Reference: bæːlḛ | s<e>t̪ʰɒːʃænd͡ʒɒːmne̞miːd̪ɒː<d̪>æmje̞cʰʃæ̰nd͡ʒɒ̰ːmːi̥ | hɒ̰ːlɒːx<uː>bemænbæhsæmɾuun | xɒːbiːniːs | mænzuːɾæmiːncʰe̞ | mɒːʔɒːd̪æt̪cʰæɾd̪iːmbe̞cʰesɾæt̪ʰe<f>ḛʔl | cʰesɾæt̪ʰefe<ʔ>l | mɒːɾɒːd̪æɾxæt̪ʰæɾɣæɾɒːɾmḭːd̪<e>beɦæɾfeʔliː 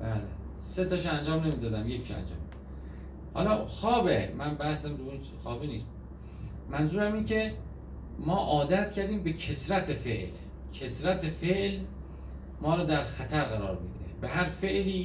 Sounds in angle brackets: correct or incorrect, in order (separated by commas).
correct, correct, incorrect, correct, correct, correct